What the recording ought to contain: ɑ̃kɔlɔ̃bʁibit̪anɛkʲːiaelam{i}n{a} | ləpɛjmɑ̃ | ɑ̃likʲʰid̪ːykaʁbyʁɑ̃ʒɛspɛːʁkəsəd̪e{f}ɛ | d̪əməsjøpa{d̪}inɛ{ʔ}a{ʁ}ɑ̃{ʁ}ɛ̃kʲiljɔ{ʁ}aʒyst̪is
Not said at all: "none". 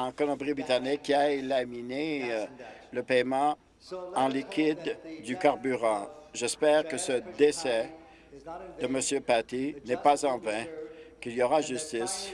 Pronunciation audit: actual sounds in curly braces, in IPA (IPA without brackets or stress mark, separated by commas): i, e, s, t̪, p, z, v, ʁ